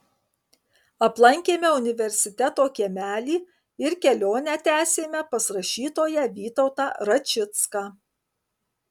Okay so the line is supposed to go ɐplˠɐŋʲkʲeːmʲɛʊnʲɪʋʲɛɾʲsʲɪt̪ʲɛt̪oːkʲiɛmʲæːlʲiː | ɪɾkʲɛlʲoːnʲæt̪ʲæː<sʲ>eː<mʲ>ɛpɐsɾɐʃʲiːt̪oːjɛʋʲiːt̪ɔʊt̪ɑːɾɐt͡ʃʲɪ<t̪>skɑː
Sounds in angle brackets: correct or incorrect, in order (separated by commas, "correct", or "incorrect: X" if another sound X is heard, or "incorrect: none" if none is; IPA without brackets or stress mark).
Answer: correct, correct, correct